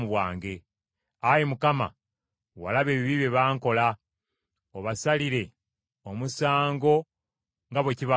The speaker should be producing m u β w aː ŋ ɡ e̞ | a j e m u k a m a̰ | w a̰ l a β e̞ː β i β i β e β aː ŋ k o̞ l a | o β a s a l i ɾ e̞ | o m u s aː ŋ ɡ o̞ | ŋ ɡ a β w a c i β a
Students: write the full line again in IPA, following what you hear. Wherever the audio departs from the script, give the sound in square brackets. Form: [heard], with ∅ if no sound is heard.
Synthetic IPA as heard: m u β w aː ŋ ɡ e̞ | a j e m u k a m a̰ | w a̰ l a β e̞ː β i β i β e β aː ŋ k o̞ l a | o β a s a l i ɾ e̞ | o m u s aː ŋ ɡ o̞ | ŋ ɡ a β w [e] c i β a